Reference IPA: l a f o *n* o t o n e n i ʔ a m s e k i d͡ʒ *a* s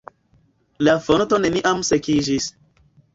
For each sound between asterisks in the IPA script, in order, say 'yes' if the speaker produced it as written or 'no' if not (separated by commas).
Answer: yes, no